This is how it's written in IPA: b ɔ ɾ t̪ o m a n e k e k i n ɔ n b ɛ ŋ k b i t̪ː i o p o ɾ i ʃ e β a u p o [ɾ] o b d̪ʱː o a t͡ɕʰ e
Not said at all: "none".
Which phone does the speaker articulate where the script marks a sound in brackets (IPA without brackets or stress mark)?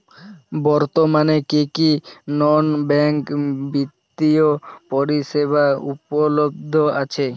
l